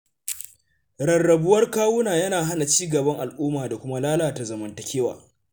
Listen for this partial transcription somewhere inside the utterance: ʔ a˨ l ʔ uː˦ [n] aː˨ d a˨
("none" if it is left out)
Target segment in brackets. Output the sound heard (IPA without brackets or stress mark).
m